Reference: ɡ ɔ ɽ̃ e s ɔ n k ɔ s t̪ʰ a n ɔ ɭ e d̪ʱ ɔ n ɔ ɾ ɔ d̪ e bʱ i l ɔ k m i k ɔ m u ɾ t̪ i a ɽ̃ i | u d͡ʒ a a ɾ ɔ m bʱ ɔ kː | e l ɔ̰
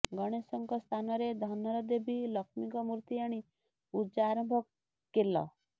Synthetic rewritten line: ɡ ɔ ɽ̃ e s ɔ ŋ k ɔ s t̪ʰ a n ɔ ɾ e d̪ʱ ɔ n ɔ ɾ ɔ d̪ e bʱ i l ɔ k m i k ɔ m u ɾ t̪ i a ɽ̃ i | u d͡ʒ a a ɾ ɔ m bʱ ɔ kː | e l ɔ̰